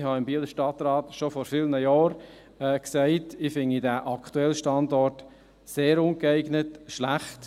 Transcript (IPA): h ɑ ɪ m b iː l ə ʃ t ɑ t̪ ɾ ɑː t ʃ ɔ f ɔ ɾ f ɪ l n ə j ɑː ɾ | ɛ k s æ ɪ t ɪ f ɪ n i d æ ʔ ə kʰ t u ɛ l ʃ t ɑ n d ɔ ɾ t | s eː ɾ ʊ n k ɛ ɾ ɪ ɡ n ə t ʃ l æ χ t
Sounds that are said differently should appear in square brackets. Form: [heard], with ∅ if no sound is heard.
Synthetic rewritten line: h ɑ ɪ m b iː l ə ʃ t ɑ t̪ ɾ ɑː t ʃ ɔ f ɔ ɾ f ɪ l n ə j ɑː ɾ | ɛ k s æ ɪ t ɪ f ɪ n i d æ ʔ [ɑ] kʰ t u ɛ l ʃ t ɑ n d ɔ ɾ t | s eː ɾ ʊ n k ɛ [∅] ɪ ɡ n ə t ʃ l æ χ t